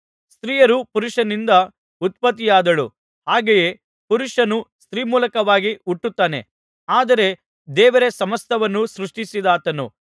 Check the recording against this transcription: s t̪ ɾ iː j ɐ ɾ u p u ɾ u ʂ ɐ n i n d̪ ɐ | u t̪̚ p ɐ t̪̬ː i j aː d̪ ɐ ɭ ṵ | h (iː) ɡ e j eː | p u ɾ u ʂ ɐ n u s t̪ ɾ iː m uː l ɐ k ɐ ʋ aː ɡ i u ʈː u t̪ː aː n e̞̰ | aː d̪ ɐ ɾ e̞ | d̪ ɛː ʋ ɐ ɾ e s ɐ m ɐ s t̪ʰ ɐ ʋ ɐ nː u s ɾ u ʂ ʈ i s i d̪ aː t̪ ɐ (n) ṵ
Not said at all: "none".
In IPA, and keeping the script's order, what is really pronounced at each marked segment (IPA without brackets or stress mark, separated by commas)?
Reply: aː, n